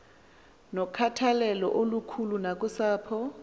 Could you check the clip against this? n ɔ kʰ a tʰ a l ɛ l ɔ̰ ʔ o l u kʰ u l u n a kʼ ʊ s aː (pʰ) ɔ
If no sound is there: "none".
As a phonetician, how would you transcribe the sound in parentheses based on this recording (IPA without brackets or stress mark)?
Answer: pʰ